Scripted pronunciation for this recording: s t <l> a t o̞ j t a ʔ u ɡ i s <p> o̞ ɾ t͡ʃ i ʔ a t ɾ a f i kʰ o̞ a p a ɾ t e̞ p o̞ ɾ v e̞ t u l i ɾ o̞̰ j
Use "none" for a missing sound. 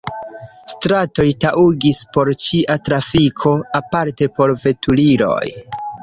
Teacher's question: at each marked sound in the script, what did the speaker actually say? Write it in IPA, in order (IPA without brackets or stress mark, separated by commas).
ɾ, p